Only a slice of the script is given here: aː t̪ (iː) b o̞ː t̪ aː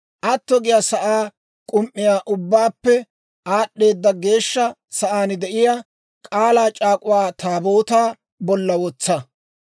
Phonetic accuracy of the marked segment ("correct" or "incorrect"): incorrect